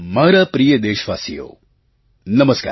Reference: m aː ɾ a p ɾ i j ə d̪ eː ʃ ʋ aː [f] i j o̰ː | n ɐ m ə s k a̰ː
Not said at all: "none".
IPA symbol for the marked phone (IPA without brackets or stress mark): s